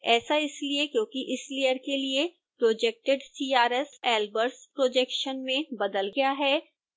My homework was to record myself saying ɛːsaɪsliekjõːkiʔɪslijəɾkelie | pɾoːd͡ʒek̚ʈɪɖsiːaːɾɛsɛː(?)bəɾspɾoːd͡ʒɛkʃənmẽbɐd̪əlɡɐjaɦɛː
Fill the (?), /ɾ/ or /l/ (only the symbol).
l